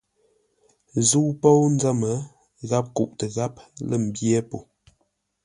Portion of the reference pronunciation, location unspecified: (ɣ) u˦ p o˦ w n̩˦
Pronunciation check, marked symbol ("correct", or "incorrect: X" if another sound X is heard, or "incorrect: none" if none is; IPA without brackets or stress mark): incorrect: z